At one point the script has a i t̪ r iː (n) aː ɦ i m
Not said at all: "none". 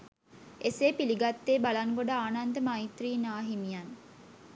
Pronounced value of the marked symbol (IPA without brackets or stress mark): n